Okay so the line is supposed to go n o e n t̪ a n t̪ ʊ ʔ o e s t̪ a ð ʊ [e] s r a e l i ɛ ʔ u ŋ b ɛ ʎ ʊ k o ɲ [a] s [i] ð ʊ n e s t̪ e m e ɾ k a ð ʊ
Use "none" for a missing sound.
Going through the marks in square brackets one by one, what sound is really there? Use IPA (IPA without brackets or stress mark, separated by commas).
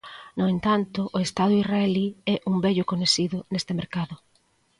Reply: i, e, i